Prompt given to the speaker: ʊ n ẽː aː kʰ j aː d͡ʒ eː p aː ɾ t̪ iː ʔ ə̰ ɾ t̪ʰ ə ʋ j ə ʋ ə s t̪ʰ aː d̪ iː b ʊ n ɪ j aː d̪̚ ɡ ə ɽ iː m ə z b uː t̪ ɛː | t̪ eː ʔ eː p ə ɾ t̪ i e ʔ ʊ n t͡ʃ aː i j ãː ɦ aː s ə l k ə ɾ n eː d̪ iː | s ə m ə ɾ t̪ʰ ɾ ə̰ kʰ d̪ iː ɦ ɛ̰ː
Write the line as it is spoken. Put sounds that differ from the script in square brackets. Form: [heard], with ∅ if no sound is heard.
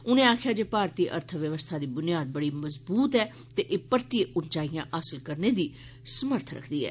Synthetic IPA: ʊ n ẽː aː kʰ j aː d͡ʒ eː p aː ɾ t̪ iː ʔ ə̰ ɾ t̪ʰ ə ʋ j ə ʋ ə s t̪ʰ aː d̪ iː b ʊ n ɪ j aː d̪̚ [b] ə ɽ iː m ə z b uː t̪ ɛː | t̪ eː ʔ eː p ə ɾ t̪ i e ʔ ʊ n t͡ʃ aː i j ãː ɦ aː s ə l k ə ɾ n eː d̪ iː | s ə m ə ɾ t̪ʰ ɾ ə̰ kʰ d̪ iː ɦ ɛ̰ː